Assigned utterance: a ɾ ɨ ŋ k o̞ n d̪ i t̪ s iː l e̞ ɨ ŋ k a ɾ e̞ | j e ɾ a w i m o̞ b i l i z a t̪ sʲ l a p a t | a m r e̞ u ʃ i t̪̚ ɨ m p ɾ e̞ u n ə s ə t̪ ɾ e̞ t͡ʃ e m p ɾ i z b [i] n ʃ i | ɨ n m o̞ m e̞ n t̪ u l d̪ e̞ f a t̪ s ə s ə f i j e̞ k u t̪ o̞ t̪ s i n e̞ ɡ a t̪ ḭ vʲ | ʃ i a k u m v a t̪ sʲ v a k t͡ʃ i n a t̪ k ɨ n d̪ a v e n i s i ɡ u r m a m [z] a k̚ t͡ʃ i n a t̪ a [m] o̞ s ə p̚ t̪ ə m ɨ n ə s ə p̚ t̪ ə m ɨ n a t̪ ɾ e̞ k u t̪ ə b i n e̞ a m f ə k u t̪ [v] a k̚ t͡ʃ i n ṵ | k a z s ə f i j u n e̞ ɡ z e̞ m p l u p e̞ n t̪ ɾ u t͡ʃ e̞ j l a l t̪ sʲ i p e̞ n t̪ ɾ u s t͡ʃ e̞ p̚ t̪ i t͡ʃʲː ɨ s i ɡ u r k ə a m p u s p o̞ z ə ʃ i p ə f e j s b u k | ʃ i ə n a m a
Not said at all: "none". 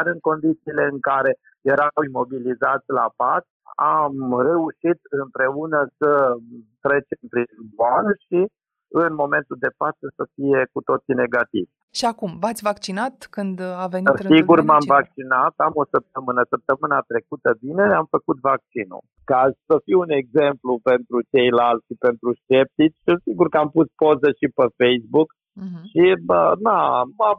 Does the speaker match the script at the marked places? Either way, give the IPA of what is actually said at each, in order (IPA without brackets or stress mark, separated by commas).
a, v, m, v